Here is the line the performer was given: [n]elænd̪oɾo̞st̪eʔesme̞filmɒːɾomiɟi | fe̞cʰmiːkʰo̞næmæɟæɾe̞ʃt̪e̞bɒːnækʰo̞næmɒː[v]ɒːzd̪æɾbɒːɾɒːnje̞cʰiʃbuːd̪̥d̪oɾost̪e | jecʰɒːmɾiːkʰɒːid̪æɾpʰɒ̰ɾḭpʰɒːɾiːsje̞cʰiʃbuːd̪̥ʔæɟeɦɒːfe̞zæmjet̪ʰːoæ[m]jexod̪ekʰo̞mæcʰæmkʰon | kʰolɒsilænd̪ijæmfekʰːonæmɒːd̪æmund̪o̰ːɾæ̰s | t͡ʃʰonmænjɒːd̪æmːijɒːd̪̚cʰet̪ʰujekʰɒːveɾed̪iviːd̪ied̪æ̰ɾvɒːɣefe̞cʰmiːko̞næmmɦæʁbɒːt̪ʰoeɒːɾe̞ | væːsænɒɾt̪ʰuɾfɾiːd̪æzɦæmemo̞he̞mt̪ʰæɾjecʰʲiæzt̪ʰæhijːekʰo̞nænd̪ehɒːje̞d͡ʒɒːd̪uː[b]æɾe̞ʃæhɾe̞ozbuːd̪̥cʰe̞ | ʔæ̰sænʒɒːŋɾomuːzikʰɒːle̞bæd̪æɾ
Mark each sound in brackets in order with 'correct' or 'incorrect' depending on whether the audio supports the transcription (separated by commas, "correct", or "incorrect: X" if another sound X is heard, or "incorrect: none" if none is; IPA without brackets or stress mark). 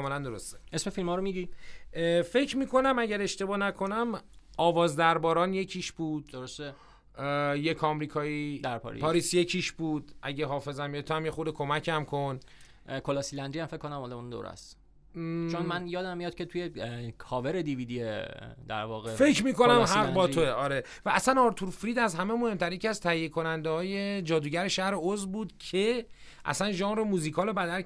incorrect: m, correct, correct, incorrect: ɟ